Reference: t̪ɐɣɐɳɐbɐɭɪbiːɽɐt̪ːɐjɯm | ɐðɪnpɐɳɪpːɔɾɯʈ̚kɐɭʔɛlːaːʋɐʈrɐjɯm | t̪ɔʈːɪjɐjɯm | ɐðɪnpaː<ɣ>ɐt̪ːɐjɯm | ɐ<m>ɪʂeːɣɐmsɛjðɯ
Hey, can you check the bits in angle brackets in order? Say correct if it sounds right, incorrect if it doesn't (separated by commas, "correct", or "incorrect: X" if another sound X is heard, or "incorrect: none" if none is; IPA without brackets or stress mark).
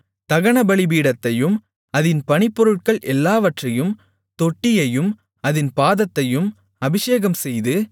incorrect: ð, incorrect: b